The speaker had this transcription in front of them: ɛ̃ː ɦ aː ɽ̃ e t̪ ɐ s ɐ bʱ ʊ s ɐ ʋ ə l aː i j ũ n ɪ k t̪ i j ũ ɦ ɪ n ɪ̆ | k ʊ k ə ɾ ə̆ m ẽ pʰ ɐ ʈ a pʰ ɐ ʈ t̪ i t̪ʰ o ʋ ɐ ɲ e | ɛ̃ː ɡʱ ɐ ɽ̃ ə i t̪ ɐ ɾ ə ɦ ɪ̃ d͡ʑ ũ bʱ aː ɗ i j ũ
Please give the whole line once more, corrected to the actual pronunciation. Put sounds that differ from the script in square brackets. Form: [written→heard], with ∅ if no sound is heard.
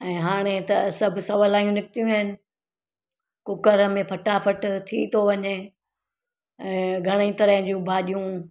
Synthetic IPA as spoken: ɛ̃ː ɦ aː ɽ̃ e t̪ ɐ s ɐ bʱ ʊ s ɐ ʋ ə l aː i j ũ n ɪ k t̪ i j ũ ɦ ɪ n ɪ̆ | k ʊ k ə ɾ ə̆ m ẽ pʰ ɐ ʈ a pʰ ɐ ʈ [t̪→t̪ʰ] i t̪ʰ o ʋ ɐ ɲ e | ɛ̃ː ɡʱ ɐ ɽ̃ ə i t̪ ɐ ɾ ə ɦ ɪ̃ d͡ʑ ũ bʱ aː ɗ i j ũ